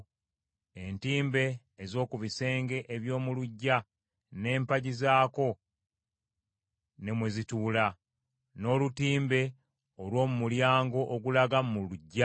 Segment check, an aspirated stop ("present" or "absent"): absent